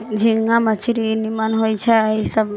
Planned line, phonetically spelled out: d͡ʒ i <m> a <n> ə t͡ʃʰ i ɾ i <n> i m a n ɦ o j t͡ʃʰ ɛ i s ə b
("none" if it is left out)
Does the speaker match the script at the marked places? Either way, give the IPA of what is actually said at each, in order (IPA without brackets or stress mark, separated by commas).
ŋ, m, n